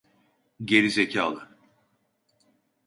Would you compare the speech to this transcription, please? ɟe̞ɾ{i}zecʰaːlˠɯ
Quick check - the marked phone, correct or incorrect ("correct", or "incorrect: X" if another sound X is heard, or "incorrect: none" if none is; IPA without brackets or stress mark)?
correct